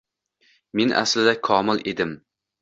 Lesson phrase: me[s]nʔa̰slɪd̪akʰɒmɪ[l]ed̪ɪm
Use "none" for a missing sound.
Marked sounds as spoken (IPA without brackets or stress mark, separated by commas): none, l